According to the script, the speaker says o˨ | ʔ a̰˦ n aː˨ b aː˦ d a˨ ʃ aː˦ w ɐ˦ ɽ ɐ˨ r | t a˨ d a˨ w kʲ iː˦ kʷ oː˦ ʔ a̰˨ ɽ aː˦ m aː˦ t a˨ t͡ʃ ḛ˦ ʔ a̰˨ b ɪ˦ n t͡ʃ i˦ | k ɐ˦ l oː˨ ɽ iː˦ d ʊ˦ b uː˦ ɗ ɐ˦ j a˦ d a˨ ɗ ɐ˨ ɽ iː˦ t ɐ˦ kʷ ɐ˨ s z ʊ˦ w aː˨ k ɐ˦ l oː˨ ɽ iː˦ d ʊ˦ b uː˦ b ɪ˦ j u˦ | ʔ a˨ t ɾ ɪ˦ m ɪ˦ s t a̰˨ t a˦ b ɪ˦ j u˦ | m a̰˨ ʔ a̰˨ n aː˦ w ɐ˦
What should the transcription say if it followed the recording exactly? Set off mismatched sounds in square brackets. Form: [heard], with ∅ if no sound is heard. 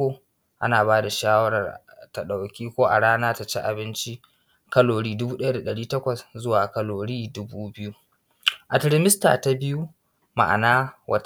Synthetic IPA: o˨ | ʔ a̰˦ n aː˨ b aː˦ d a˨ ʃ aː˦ w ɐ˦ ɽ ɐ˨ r | t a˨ [ɗ] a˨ w kʲ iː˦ kʷ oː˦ ʔ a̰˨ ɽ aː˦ [n] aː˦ t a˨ t͡ʃ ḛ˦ ʔ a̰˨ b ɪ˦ n t͡ʃ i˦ | k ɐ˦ l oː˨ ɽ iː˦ d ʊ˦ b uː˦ ɗ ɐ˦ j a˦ d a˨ ɗ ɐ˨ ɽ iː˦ t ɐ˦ kʷ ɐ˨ s z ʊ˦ w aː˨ k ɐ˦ l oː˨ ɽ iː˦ d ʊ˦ b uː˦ b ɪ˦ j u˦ | ʔ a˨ t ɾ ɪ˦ m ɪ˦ s t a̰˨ t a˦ b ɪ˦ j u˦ | m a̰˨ ʔ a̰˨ n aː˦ w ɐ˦